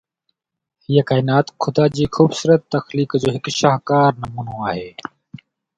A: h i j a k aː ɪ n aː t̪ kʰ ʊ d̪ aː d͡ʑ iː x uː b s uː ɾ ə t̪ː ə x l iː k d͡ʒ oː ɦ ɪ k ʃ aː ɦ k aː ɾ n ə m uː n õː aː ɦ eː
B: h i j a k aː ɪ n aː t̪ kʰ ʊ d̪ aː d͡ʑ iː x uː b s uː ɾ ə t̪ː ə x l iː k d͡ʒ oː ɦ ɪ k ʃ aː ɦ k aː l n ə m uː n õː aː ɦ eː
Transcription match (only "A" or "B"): A